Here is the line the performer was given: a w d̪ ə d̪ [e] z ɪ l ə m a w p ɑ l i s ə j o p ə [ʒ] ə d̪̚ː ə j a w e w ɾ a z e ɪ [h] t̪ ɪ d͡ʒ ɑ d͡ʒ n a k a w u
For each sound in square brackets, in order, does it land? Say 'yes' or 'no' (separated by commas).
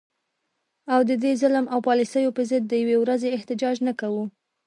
yes, no, yes